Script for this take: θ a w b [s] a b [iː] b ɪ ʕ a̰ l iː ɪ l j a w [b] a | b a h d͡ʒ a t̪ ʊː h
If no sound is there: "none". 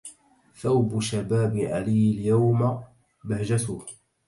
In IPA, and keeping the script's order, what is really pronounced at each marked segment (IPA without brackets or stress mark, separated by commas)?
ʃ, aː, m